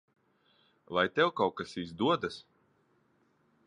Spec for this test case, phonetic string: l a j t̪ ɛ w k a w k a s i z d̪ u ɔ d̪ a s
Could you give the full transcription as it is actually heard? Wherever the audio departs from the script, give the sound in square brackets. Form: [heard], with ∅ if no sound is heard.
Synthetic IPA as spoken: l a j t̪ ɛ w k a w k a s i z d̪ u ɔ d̪ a s